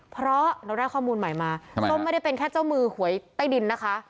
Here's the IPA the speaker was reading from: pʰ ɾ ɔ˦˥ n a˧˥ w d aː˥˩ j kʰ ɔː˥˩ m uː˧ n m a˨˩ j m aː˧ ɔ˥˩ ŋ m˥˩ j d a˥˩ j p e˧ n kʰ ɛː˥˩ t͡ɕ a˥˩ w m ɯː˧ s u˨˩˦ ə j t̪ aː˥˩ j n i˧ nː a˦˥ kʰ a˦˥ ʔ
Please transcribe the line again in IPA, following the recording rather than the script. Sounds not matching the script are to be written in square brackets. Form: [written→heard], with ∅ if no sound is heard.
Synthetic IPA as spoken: pʰ ɾ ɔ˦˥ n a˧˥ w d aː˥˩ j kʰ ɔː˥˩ m uː˧ n m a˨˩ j m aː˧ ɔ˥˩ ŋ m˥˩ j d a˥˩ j p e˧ n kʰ ɛː˥˩ t͡ɕ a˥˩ w m ɯː˧ [s→h] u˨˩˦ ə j t̪ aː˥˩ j [n→d] i˧ nː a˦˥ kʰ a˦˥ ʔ